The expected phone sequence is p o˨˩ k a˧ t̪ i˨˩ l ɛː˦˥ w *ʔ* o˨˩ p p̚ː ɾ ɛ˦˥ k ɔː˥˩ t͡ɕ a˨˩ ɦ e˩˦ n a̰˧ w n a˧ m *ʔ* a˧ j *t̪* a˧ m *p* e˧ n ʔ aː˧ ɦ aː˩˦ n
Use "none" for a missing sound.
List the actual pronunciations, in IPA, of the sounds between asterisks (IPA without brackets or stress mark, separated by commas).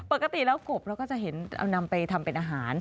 k, p, t̪ʰ, p